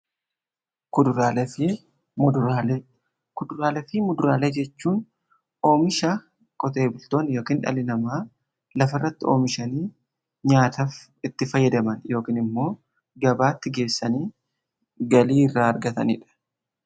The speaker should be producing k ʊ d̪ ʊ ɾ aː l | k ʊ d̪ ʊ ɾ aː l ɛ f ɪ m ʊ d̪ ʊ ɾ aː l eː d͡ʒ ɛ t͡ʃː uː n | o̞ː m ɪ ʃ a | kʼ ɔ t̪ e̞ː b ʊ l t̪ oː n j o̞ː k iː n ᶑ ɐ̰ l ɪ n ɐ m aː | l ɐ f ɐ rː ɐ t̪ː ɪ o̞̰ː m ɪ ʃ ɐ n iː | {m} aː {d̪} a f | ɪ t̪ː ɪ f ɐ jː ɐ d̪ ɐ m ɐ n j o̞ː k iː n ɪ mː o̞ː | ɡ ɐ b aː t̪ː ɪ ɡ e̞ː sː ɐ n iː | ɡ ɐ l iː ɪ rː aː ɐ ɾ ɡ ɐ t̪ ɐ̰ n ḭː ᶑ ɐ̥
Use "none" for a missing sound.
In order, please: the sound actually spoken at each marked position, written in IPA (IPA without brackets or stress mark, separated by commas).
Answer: ɲ, t̪